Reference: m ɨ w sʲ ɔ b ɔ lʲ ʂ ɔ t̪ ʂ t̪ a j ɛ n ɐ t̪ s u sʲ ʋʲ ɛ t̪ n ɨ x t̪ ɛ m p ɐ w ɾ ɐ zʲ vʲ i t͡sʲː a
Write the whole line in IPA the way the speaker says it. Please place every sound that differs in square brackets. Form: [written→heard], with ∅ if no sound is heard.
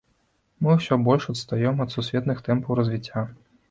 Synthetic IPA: m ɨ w sʲ ɔ b ɔ lʲ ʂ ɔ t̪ [ʂ→s] t̪ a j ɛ [n→m] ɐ t̪ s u sʲ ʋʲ ɛ t̪ n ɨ x t̪ ɛ m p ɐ w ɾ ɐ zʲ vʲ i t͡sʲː a